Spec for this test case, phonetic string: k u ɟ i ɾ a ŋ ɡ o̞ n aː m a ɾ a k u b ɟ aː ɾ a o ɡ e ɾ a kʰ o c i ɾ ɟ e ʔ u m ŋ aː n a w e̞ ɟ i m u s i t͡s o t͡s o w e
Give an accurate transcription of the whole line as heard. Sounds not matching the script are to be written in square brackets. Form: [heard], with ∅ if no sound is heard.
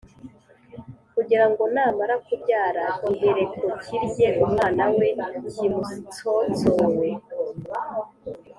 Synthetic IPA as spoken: k u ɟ i ɾ a ŋ ɡ o̞ n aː m a ɾ a k u b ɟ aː ɾ a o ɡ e ɾ [e] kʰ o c i ɾ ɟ e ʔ u m ŋ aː n a w e̞ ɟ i m u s i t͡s o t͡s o w e